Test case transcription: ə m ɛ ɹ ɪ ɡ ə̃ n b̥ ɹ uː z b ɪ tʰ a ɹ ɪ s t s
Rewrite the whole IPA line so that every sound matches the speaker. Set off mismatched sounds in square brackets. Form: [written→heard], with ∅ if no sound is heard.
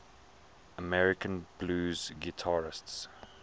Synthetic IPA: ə m ɛ ɹ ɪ [ɡ→k] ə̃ n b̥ [ɹ→l] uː z [b→ɡ] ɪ tʰ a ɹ ɪ s t s